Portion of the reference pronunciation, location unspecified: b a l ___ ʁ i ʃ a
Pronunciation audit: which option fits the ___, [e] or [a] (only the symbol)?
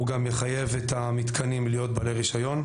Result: e